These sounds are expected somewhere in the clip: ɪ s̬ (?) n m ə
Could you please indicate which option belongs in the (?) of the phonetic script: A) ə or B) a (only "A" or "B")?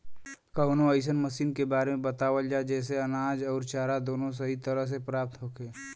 A